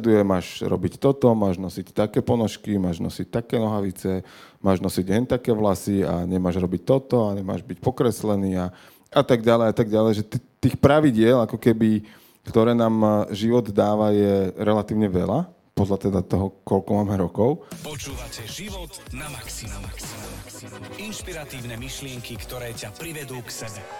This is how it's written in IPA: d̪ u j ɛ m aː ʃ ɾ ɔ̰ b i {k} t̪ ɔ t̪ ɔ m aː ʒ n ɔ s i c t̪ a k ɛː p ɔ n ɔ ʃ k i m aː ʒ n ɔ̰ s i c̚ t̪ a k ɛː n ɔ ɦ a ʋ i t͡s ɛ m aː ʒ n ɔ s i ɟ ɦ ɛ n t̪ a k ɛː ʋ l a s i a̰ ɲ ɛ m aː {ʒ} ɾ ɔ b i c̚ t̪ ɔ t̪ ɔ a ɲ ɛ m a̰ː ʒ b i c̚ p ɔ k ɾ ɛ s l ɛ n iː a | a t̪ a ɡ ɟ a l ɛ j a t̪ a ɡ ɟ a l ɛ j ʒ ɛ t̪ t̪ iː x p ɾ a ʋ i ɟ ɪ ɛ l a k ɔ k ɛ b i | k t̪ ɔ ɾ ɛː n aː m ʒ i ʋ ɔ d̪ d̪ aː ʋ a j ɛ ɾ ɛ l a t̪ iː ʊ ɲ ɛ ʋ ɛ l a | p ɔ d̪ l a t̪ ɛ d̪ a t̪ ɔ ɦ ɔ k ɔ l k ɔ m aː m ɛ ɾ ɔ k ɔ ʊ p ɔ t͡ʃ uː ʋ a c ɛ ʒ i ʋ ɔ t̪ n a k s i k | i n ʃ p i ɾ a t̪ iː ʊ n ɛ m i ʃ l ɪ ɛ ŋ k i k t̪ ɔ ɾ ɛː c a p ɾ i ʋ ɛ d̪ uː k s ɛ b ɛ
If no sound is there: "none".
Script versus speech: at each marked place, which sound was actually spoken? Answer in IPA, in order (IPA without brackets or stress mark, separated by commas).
c, ʒ